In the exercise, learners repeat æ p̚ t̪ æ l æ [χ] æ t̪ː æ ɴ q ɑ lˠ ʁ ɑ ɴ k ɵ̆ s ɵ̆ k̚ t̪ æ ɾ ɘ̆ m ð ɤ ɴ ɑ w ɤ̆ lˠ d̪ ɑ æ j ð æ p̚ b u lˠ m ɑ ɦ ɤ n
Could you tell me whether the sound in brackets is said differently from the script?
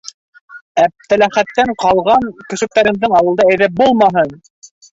no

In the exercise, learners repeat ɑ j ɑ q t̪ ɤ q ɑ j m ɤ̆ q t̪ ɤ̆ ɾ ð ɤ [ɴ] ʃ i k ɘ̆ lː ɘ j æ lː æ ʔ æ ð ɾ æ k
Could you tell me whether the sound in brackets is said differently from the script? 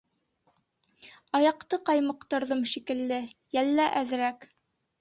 yes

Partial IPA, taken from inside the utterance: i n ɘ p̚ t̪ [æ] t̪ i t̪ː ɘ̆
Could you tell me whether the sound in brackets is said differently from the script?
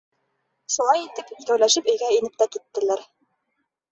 no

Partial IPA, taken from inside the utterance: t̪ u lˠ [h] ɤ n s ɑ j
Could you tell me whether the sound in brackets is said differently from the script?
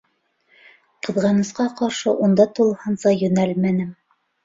no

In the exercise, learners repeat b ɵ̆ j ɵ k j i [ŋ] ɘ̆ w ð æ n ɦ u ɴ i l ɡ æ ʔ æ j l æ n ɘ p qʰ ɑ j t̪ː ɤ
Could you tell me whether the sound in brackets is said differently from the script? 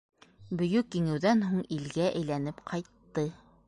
no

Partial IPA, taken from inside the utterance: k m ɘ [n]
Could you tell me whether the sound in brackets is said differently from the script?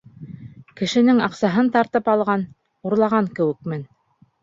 no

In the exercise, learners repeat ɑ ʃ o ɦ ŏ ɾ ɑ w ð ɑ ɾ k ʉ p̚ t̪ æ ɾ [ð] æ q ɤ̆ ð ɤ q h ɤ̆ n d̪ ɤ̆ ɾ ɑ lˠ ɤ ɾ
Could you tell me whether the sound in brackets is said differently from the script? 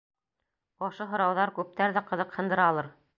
no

